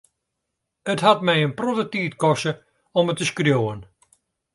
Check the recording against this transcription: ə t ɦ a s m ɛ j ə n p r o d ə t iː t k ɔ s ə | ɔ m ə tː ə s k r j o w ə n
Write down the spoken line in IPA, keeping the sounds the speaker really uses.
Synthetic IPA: ə t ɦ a t m ɛ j ə n p r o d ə t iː t k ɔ s ə | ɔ m ə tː ə s k r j o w ə n